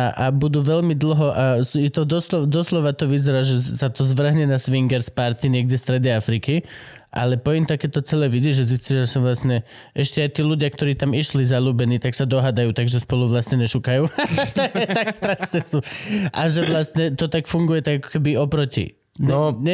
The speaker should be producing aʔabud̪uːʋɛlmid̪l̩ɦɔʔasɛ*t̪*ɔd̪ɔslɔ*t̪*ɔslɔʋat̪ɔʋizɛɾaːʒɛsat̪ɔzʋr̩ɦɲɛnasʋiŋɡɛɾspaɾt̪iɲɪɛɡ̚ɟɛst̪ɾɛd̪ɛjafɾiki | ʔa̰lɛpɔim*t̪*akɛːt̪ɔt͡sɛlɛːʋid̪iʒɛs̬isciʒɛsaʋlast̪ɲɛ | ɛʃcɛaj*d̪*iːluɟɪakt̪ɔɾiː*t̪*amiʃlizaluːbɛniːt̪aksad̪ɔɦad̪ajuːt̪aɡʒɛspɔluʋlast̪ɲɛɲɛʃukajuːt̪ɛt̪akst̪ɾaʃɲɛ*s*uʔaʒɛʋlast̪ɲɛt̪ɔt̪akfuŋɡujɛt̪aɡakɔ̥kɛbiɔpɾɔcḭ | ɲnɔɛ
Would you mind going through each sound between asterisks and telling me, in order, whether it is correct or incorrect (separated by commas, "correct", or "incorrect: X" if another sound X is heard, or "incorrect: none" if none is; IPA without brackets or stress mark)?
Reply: correct, incorrect: d̪, correct, incorrect: t̪, correct, correct